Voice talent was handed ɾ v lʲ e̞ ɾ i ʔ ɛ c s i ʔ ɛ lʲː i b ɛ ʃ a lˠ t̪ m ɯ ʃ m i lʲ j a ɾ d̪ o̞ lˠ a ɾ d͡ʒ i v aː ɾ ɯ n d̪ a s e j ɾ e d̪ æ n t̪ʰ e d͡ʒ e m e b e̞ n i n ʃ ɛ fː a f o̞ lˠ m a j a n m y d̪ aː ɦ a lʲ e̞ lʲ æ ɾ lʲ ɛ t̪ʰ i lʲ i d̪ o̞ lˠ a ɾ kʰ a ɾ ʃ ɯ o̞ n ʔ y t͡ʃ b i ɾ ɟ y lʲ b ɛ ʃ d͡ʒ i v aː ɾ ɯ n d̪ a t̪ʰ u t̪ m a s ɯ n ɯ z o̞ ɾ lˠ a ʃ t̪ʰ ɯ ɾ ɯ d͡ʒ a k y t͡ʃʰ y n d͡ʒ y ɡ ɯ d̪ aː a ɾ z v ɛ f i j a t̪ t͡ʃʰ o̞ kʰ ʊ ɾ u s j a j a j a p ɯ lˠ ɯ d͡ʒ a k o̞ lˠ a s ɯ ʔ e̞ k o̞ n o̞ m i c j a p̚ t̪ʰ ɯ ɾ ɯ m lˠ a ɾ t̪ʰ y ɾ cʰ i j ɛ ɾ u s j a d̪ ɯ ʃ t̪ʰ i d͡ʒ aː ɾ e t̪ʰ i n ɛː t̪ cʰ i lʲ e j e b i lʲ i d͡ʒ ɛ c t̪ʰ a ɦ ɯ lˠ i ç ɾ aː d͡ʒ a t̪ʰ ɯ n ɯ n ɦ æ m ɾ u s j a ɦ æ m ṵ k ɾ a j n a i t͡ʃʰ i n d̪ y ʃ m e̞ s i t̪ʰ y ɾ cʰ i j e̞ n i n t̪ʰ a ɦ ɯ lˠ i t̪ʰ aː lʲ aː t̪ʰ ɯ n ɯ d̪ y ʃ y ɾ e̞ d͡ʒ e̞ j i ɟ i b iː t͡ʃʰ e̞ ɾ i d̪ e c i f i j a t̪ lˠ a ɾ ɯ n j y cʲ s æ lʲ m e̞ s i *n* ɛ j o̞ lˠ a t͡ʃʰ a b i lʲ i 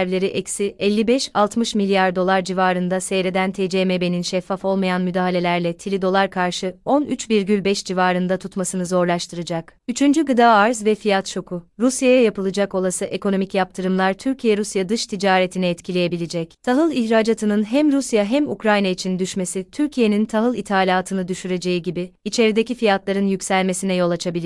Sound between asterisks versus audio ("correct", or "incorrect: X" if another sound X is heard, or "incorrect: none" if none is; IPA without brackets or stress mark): correct